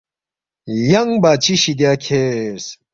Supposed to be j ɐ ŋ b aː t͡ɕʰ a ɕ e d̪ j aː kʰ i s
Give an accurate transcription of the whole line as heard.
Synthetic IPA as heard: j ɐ ŋ b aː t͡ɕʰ i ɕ i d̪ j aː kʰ e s